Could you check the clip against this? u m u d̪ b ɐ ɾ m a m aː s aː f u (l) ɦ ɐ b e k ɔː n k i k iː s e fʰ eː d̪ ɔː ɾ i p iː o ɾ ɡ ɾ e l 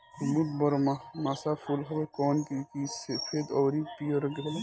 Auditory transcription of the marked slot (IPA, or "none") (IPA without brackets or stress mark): l